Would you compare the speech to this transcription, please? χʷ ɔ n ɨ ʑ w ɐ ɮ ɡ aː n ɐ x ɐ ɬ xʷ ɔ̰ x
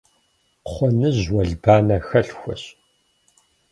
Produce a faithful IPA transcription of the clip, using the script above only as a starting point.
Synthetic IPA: χʷ ɔ n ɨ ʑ w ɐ ɮ b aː n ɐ x ɐ ɬ xʷ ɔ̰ ɕ